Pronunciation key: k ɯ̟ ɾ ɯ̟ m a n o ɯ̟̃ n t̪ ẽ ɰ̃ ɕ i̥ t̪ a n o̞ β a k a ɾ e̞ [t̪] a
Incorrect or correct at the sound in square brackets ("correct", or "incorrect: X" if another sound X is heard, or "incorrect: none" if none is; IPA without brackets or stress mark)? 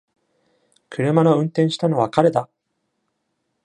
incorrect: d̪